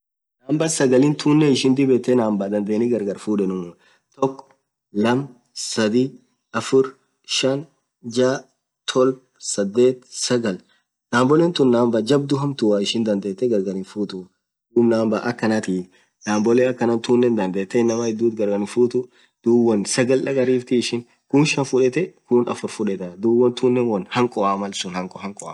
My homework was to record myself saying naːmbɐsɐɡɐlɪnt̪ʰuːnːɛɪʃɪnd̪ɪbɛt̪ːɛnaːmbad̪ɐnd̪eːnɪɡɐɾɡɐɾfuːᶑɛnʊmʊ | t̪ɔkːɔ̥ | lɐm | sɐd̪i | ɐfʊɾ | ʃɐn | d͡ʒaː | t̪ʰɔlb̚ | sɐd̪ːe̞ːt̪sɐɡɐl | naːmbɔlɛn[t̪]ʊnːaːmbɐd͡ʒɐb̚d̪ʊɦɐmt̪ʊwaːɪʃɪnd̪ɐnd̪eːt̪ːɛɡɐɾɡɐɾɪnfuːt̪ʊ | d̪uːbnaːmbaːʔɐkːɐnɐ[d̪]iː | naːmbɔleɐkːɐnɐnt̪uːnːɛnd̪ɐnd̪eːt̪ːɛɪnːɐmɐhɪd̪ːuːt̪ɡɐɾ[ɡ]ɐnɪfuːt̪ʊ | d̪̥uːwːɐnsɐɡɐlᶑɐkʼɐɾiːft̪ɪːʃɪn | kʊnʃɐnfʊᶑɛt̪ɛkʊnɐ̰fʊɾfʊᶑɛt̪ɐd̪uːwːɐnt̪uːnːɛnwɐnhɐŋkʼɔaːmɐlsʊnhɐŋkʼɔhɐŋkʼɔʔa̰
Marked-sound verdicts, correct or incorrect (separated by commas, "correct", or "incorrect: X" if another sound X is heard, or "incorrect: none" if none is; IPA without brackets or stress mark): correct, incorrect: t̪, correct